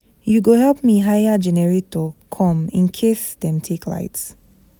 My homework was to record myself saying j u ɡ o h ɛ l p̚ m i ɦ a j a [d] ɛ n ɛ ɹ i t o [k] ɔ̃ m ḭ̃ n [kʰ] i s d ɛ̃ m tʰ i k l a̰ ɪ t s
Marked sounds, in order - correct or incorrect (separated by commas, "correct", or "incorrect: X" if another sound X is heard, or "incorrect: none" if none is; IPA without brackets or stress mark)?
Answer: incorrect: d͡ʒ, incorrect: kʰ, correct